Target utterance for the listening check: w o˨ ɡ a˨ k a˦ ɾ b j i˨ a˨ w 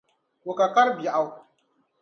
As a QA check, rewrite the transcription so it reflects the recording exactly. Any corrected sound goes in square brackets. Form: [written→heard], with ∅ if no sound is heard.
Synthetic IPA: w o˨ [ɡ→k] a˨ k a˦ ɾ b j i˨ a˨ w